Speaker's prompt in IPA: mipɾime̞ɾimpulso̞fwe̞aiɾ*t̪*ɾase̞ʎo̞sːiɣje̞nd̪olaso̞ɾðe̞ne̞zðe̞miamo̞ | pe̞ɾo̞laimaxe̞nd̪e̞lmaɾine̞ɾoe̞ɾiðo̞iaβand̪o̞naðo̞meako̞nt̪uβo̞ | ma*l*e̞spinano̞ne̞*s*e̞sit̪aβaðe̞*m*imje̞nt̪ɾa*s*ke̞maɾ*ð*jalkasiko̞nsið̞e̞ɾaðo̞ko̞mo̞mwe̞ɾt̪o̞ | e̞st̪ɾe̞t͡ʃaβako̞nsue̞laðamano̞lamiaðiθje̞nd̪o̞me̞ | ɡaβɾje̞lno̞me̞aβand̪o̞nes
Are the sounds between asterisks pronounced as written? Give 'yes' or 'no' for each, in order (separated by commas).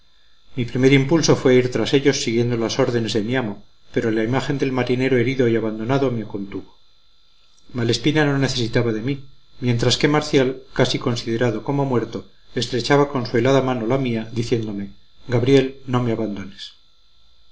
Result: yes, yes, no, yes, yes, no